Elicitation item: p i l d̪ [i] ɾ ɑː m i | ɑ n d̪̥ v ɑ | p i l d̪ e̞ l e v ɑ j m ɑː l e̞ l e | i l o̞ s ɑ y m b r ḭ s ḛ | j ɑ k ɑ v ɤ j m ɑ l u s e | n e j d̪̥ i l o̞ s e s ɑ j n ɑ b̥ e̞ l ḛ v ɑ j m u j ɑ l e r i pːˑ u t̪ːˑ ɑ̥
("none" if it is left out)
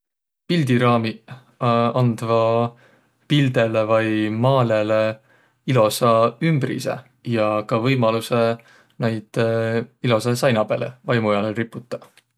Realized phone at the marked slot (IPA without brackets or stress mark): i